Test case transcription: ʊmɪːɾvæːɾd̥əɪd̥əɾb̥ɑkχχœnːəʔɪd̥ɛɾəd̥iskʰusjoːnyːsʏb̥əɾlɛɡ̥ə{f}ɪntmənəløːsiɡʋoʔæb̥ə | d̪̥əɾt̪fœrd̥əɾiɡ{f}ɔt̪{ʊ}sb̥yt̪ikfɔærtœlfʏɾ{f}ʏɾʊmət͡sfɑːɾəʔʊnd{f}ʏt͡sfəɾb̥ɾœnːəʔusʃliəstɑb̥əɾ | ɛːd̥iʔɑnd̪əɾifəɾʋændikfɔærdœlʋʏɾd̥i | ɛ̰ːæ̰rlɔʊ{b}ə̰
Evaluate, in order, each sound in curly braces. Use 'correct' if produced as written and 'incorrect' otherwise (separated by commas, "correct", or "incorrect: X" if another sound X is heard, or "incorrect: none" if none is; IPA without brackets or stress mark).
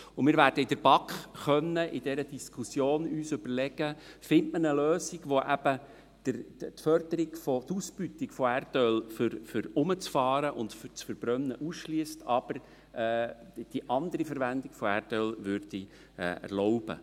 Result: correct, correct, incorrect: u, correct, correct, correct